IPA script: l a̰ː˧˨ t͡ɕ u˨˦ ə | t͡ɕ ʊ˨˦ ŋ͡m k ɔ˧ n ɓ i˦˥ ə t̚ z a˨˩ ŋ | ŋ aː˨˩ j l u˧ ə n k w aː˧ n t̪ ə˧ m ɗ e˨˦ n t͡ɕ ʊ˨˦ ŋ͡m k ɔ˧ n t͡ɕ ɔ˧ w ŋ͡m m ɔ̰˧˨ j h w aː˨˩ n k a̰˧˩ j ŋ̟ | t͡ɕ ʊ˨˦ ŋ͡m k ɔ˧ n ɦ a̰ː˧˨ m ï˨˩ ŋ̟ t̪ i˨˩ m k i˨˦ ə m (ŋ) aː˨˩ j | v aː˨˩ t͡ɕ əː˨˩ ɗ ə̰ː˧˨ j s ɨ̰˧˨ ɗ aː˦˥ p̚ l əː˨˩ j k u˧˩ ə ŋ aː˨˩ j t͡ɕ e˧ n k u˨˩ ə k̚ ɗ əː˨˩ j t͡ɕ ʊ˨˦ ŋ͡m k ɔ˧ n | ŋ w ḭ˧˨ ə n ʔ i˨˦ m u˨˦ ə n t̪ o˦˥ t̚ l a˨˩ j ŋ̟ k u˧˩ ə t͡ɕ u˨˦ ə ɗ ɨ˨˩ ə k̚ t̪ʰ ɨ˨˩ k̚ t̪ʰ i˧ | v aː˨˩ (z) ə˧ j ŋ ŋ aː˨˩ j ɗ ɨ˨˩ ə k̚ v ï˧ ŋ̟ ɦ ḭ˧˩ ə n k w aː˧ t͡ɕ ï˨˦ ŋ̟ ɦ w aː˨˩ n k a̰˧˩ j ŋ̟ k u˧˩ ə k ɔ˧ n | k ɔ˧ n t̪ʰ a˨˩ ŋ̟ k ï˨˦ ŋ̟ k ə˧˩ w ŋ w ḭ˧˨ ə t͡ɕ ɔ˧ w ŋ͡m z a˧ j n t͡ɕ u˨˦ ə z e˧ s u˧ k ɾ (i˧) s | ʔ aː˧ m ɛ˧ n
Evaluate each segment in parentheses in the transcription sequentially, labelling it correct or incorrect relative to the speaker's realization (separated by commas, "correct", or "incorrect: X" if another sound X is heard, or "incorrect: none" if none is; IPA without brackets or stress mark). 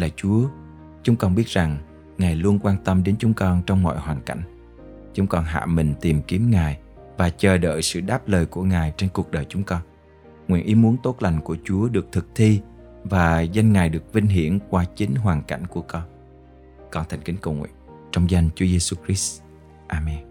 correct, correct, incorrect: i˦˥